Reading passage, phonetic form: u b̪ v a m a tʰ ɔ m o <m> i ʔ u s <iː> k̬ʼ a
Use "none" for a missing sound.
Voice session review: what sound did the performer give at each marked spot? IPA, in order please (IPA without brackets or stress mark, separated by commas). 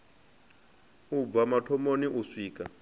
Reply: n, iː